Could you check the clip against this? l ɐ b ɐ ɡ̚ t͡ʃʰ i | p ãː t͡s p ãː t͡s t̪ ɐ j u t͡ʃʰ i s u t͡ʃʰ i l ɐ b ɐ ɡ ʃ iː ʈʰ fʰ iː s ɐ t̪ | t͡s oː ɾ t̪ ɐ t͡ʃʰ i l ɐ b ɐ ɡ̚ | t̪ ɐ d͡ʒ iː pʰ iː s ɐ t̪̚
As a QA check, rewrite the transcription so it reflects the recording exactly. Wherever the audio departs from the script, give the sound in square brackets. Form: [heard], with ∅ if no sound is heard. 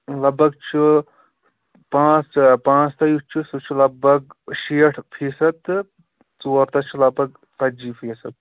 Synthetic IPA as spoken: l ɐ b ɐ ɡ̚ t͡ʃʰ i | p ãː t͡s p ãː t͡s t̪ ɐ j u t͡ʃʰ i s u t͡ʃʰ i l ɐ b ɐ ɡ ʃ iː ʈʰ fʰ iː s ɐ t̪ | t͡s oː ɾ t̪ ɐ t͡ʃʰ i l ɐ b ɐ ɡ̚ | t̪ ɐ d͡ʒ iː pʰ iː s ɐ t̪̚